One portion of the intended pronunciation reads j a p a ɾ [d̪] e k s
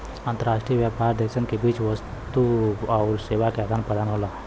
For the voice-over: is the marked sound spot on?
yes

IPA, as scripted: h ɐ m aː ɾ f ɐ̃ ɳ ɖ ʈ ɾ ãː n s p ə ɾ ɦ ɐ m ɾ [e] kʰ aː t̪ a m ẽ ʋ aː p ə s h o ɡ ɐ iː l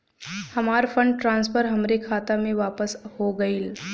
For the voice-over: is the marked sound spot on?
yes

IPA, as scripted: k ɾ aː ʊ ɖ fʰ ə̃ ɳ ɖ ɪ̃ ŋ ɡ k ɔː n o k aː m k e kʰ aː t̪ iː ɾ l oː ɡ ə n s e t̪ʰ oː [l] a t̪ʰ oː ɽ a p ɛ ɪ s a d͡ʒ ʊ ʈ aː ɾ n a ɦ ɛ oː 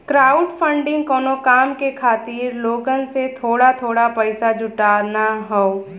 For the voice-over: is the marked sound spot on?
no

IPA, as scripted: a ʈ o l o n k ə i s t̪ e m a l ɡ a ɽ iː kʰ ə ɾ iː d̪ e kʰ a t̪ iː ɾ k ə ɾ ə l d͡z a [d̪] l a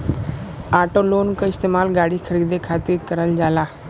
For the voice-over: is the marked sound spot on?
no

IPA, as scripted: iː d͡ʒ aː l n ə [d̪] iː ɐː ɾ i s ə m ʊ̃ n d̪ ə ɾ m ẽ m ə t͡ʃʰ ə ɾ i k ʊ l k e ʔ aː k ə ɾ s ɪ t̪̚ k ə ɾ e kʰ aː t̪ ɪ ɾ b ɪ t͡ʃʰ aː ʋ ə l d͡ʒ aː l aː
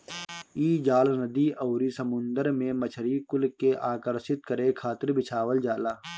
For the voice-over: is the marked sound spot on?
yes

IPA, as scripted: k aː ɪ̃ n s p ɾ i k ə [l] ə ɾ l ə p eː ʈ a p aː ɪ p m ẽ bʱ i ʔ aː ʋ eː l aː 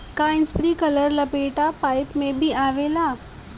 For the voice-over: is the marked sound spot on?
yes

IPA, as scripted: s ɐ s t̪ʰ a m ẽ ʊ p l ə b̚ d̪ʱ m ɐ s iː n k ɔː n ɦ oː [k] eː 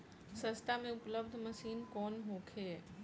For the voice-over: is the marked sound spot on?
no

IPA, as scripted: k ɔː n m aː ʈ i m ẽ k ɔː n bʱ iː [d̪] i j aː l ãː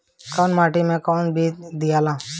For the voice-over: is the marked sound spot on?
yes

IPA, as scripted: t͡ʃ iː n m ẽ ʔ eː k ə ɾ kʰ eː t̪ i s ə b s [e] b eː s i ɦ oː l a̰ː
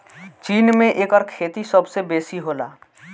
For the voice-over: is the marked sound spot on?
yes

